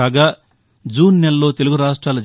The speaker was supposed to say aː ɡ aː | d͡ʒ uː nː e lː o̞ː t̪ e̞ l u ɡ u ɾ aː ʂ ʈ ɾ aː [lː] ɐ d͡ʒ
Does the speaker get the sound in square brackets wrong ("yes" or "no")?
yes